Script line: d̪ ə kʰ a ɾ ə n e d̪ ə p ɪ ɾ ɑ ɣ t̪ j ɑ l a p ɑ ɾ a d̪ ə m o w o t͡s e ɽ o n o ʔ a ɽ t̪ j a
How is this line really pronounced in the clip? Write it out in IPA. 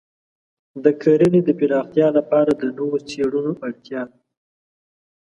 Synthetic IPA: d̪ ə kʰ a ɾ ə n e d̪ ə p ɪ ɾ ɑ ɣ t̪ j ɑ l a p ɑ ɾ a d̪ ə n o w o t͡s e ɽ u n o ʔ a ɽ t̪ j ɑ